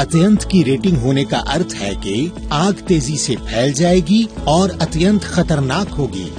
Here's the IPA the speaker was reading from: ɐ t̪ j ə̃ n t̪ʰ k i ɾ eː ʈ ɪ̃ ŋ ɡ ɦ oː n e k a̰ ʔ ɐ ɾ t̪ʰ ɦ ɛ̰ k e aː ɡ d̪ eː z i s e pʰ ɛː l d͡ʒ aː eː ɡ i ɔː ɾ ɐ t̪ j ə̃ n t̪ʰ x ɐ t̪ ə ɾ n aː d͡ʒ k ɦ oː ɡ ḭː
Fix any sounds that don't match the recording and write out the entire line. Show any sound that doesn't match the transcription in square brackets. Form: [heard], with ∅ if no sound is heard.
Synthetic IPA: ɐ t̪ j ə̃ n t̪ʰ k i ɾ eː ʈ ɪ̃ ŋ ɡ ɦ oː n e k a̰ ʔ ɐ ɾ t̪ʰ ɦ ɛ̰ k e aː ɡ [t̪] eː z i s e pʰ ɛː l d͡ʒ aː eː ɡ i ɔː ɾ ɐ t̪ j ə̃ n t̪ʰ x ɐ t̪ ə ɾ n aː [∅] k ɦ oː ɡ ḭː